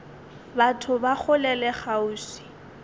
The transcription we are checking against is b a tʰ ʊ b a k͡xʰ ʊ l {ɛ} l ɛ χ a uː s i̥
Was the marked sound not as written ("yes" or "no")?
no